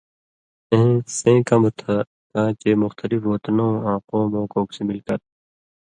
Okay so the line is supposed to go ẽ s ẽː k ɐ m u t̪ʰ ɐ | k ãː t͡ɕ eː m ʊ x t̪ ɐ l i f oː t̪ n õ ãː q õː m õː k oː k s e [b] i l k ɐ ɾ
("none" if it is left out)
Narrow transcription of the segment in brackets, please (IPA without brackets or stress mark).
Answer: m